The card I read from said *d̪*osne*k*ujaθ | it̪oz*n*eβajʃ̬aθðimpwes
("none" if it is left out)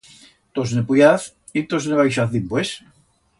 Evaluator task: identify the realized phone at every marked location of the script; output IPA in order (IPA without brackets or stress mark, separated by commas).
t̪, p, n